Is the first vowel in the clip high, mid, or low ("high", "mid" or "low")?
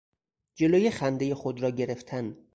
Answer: mid